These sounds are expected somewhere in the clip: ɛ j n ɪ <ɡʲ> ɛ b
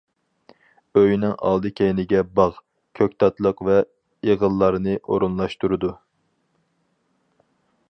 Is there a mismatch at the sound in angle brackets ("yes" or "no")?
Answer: no